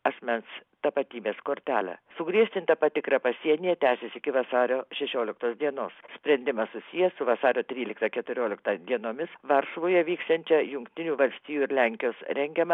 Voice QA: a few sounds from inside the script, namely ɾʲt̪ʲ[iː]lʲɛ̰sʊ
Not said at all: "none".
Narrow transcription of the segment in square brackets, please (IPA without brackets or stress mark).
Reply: æː